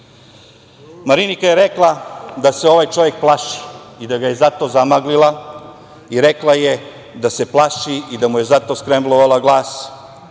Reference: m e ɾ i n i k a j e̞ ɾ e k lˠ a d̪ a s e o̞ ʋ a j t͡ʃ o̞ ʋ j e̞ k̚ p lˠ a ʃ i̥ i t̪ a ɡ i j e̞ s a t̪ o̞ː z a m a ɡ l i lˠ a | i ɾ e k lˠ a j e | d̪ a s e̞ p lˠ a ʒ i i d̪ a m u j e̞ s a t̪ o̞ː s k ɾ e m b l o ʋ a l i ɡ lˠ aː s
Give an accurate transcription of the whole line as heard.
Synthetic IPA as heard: m a ɾ i n i k a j e̞ ɾ e k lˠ a d̪ a s e o̞ ʋ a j t͡ʃ o̞ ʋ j e̞ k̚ p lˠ a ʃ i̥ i d̪ a ɡ a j e̞ z a t̪ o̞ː z a m a ɡ l i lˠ a | i ɾ e k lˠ a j e | d̪ a s e̞ p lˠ a ʃ i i d̪ a m u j e̞ z a t̪ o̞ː s k ɾ e m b l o ʋ a l a ɡ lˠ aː s